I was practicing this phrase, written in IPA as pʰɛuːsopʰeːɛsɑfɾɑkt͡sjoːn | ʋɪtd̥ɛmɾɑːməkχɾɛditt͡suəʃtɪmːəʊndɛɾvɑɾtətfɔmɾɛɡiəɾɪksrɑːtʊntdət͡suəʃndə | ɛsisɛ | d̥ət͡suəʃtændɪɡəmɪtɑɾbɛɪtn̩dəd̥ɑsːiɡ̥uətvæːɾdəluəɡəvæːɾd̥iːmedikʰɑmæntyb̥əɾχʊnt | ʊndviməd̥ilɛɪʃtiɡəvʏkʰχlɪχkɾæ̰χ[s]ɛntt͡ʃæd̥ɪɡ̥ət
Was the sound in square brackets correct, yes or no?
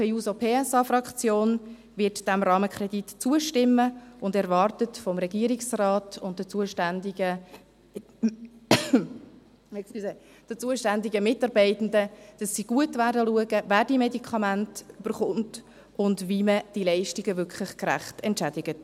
no